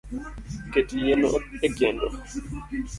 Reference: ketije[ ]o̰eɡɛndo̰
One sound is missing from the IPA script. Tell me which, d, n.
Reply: n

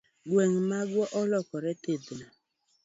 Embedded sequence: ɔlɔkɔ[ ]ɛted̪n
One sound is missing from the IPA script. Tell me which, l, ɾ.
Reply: ɾ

